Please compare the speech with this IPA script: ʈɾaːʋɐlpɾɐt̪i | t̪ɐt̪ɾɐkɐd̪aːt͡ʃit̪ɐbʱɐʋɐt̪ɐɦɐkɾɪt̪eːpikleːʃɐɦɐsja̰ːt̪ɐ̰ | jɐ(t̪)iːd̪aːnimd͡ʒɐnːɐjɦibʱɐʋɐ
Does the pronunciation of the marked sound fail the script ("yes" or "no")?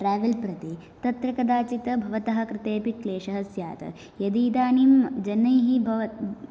yes